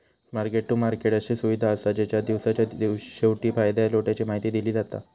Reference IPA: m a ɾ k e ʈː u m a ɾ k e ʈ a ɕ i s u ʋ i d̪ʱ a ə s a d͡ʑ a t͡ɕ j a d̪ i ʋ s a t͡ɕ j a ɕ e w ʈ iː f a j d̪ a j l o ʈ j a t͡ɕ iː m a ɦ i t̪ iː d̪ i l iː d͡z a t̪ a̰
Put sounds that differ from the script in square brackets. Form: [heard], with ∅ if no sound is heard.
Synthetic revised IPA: m a ɾ k e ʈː u m a ɾ k e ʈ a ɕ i s u ʋ i d̪ʱ a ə s a d͡ʑ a t͡ɕ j a d̪ i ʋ s a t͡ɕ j a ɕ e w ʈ iː f a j d̪ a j l o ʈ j a t͡ɕ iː m a ɦ i t̪ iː d̪ i l iː d͡z a t̪ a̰